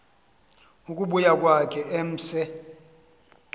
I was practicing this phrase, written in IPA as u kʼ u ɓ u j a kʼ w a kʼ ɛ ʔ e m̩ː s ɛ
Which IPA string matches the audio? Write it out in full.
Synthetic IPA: u kʼ u ɓ u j a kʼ w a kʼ ɛ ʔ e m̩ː s ɛ